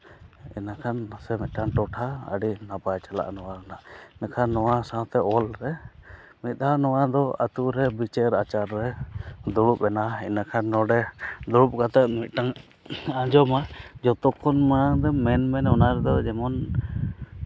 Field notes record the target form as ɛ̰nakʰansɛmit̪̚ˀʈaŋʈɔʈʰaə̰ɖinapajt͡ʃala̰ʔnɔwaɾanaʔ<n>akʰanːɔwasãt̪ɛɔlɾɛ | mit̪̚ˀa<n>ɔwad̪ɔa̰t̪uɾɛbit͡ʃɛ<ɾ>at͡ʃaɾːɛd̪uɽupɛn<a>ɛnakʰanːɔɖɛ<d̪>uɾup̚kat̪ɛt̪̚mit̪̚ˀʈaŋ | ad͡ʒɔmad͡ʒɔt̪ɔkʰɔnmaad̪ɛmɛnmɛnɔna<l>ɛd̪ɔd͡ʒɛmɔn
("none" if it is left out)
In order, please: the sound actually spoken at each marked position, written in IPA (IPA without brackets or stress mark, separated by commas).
n, n, ɾ, a, d̪, ɾ